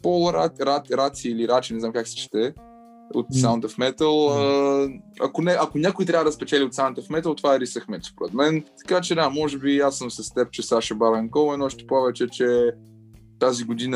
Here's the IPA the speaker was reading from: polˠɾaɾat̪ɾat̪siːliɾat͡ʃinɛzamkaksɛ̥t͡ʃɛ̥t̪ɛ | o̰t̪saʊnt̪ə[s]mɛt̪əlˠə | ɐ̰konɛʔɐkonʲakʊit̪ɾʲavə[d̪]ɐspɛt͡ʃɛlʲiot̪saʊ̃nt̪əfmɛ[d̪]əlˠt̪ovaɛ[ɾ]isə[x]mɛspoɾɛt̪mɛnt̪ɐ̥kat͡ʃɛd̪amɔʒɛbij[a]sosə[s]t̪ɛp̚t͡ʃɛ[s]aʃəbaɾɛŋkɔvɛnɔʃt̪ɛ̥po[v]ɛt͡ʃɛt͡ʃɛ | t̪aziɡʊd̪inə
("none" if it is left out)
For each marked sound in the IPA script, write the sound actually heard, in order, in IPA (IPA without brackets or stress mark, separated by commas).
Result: f, d̪, t̪, ɾ, x, a, s, s, v